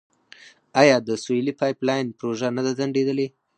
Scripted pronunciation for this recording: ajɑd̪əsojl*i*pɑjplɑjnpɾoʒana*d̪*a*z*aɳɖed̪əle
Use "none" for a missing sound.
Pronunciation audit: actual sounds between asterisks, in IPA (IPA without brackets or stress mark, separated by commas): i, d̪, z